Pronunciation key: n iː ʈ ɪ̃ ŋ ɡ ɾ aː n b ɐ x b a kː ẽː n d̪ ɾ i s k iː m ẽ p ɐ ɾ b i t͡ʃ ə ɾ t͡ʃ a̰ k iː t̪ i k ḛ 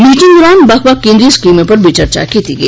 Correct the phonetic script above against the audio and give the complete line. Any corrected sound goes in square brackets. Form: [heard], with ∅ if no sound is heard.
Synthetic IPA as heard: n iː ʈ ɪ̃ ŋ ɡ ɾ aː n b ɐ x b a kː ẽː n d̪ ɾ i s k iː m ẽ p ɐ ɾ b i t͡ʃ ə ɾ t͡ʃ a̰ k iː t̪ i [ɡ] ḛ